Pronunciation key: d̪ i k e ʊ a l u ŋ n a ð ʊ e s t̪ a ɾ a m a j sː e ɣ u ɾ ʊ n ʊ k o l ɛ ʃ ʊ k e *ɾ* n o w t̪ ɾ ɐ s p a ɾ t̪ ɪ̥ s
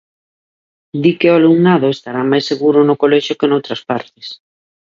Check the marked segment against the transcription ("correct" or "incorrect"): incorrect